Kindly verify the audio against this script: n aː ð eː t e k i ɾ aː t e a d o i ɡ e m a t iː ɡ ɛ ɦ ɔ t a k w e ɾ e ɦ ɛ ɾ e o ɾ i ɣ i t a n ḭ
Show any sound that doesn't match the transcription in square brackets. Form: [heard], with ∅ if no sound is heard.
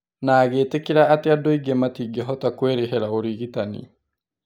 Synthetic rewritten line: n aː [ɣ] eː t e k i ɾ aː t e a d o i ɡ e m a t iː ɡ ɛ ɦ ɔ t a k w e ɾ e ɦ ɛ ɾ [a] o ɾ i ɣ i t a n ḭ